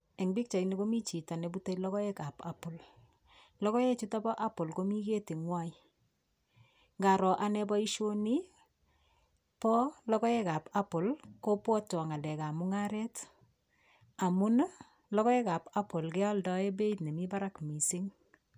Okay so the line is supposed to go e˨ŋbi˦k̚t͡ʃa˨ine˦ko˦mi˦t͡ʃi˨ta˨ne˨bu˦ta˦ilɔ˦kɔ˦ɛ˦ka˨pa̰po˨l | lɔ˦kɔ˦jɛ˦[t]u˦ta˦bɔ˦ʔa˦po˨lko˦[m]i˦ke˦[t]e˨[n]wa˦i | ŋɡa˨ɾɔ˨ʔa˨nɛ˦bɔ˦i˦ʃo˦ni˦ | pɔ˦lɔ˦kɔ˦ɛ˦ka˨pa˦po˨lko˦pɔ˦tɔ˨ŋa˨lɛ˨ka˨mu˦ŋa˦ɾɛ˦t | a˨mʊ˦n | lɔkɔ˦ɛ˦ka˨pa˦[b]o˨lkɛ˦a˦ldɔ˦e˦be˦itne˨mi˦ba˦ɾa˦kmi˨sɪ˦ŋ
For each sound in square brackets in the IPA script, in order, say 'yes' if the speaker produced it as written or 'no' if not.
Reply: no, yes, yes, no, no

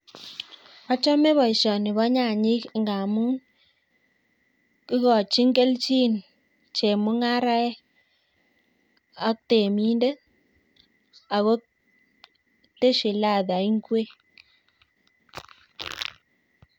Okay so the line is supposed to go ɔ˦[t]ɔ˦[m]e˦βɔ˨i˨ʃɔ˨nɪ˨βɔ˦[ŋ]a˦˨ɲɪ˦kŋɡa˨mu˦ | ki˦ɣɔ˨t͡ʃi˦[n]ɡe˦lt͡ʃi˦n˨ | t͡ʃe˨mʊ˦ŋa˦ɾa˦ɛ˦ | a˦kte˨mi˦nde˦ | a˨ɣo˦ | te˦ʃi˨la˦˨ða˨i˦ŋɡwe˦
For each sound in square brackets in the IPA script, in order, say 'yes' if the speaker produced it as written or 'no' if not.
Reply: no, yes, no, no

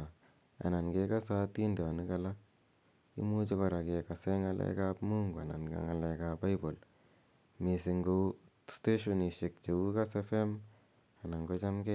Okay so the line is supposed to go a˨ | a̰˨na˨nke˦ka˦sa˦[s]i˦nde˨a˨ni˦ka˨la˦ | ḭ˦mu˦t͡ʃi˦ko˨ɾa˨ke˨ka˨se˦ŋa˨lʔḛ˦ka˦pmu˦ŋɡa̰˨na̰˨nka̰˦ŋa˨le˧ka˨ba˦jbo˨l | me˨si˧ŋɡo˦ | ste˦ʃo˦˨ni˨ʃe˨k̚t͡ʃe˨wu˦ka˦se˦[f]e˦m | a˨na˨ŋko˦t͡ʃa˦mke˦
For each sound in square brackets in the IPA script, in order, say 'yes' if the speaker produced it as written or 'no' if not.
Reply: no, yes

